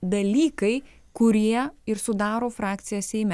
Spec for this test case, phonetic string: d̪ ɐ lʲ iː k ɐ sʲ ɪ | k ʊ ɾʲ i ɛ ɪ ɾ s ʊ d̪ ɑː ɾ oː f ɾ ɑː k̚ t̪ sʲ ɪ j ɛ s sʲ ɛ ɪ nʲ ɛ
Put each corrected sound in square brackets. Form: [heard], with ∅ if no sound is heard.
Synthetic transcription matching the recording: d̪ ɐ lʲ iː k ɐ [∅] ɪ | k ʊ ɾʲ i ɛ ɪ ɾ s ʊ d̪ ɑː ɾ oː f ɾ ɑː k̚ t̪ sʲ ɪ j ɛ s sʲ ɛ ɪ [mʲ] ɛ